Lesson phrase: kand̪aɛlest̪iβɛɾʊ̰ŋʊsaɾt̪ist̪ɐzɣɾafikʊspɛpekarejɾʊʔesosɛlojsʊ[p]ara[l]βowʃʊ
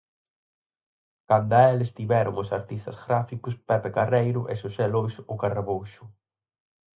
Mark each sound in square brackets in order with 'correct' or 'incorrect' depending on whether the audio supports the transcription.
incorrect: k, incorrect: none

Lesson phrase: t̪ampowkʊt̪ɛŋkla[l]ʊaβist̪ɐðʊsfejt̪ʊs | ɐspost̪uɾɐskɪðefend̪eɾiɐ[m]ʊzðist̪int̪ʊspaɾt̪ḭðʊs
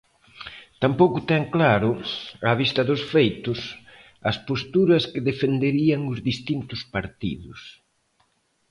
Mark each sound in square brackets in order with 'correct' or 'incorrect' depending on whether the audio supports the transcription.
incorrect: ɾ, incorrect: ŋ

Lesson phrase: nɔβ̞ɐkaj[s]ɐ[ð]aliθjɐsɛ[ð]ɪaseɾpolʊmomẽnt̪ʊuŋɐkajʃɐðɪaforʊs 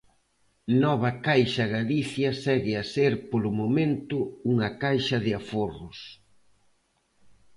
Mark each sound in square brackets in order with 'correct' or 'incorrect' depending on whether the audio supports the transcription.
incorrect: ʃ, incorrect: ɣ, incorrect: ɣ

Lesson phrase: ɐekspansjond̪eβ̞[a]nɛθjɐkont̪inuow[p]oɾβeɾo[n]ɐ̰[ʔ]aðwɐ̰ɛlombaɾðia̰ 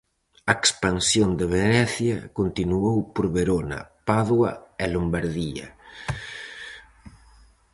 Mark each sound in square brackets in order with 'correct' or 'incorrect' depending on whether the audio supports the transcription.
incorrect: e, correct, correct, incorrect: p

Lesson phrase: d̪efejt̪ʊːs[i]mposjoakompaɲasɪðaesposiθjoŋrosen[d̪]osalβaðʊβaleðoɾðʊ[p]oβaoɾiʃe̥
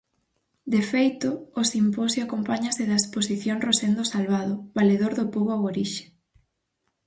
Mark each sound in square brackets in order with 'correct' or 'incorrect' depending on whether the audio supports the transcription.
correct, correct, correct

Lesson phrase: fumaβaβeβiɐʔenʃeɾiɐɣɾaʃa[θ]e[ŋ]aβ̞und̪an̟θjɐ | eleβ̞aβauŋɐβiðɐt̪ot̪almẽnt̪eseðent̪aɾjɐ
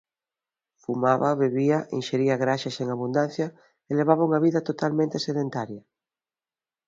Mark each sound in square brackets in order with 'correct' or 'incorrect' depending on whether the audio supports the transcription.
incorrect: s, correct

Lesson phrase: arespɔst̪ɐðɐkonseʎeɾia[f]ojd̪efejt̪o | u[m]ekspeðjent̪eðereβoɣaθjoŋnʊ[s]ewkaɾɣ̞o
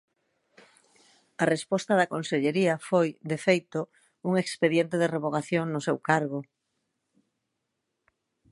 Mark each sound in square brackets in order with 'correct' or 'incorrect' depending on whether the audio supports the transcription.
correct, incorrect: ŋ, correct

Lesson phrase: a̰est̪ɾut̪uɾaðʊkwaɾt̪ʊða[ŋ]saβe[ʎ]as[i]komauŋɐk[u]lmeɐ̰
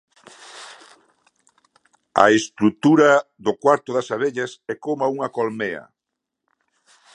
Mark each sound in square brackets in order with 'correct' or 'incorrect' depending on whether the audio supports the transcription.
incorrect: none, correct, incorrect: ɛ, incorrect: o

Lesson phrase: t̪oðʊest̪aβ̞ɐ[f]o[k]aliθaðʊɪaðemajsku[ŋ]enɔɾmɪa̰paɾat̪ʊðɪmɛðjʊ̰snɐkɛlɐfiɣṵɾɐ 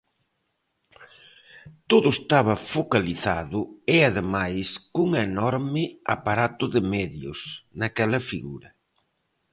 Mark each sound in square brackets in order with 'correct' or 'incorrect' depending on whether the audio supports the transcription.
correct, correct, correct

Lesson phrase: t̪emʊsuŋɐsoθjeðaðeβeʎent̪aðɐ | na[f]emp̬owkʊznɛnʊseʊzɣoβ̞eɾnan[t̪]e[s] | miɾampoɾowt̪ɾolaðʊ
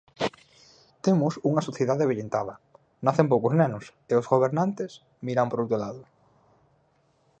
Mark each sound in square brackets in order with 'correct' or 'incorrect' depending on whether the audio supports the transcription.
incorrect: θ, correct, correct

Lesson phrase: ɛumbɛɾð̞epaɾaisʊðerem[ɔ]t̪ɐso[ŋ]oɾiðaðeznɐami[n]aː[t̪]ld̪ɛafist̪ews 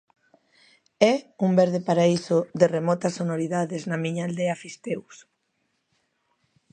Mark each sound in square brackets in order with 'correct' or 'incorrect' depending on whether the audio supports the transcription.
correct, incorrect: n, incorrect: ɲ, incorrect: none

